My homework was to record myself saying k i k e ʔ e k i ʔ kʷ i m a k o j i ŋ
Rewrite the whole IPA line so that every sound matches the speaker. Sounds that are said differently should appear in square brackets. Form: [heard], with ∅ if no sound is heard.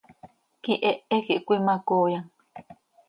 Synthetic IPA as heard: k i [ʔ] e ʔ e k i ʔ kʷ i m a k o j [a] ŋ